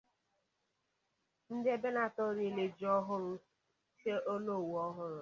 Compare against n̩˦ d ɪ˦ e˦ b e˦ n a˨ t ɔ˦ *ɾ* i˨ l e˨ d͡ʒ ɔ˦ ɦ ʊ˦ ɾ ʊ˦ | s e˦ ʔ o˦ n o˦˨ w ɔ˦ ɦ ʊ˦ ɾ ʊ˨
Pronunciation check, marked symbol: correct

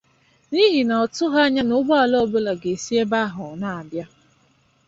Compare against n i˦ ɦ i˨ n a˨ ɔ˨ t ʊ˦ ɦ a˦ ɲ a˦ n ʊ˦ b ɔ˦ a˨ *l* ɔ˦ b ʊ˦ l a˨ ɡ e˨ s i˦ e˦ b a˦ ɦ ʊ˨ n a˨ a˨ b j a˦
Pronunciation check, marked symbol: correct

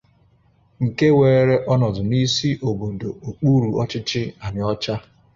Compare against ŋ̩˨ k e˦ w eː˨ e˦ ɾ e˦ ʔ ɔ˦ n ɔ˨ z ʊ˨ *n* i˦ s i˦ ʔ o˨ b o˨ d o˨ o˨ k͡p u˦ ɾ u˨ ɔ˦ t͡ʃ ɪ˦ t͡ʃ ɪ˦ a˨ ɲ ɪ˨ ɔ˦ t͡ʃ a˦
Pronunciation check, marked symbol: correct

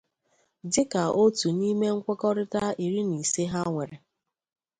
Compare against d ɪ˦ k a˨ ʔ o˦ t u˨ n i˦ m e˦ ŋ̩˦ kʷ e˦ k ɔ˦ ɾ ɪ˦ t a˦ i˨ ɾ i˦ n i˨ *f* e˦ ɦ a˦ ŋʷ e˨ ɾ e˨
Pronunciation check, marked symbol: incorrect: s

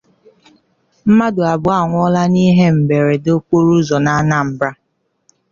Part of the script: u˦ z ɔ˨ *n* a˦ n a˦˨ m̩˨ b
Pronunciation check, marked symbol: correct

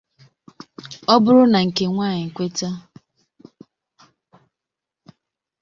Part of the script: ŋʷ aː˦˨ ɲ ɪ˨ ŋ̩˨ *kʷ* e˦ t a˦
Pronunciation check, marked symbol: correct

